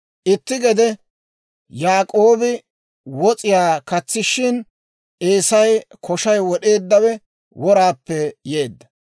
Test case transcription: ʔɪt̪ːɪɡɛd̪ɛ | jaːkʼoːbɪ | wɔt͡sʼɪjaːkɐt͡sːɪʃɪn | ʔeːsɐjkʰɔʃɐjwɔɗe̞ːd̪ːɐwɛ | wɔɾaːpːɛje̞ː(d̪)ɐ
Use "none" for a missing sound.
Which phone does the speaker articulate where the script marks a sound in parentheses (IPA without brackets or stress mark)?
d̪ː